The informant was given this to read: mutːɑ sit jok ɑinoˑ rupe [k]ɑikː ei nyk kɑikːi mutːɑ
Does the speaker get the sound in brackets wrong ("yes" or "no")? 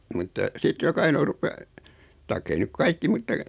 yes